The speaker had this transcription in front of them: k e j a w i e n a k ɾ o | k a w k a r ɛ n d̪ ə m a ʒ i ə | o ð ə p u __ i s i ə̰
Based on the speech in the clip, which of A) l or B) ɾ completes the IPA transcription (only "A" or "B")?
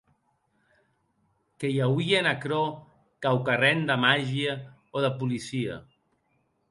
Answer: A